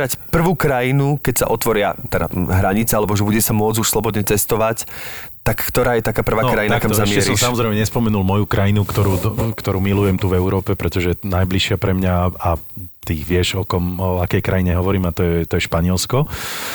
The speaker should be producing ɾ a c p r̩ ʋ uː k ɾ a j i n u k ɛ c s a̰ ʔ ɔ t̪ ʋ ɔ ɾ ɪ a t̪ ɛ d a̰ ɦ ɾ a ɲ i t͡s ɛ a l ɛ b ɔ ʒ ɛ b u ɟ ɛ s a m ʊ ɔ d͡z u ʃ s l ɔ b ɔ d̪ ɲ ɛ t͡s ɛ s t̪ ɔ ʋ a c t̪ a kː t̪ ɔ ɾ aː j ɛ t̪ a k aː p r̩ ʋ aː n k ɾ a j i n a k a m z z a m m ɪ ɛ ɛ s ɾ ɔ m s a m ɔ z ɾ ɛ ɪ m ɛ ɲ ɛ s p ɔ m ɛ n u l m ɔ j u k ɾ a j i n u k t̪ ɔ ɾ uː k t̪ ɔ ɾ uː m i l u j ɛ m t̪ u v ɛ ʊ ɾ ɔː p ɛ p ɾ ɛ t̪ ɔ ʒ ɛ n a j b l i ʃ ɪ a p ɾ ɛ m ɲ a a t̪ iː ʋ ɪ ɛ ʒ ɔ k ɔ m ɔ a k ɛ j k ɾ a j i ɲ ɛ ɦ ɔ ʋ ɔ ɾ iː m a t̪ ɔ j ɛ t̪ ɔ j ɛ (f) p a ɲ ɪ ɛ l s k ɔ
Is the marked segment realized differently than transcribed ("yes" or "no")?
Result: yes